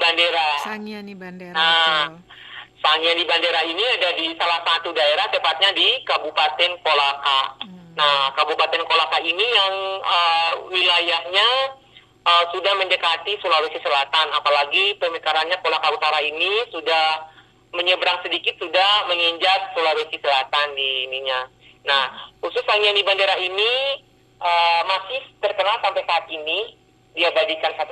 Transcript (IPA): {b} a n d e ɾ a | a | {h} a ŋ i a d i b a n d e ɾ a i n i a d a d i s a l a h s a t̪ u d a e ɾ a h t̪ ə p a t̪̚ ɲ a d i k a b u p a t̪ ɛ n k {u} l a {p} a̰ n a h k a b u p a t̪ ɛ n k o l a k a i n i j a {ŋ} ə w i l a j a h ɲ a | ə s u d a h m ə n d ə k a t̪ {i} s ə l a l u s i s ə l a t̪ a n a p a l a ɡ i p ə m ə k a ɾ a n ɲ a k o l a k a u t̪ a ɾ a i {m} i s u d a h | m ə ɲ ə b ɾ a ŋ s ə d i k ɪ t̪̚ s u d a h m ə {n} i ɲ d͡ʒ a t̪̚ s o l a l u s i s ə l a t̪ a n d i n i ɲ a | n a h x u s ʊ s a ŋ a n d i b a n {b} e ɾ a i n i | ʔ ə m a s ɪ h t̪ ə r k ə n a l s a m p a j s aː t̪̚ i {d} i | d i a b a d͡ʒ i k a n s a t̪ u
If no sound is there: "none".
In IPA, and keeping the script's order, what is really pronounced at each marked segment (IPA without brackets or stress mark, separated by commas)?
b, s, o, k, ŋ, i, n, ŋ, d, n